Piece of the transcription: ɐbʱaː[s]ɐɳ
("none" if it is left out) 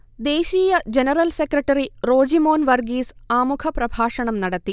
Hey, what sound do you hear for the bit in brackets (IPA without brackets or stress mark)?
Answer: ʂ